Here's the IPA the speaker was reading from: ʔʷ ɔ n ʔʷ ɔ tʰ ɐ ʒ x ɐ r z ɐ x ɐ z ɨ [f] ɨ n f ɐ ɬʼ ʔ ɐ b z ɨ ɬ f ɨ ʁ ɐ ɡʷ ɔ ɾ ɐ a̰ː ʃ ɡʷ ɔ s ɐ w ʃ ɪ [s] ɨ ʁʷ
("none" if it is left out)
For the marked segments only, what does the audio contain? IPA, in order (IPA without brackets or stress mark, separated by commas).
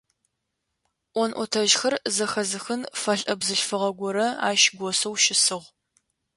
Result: x, s